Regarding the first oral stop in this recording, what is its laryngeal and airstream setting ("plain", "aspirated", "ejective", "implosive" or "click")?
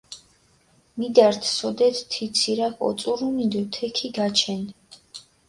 plain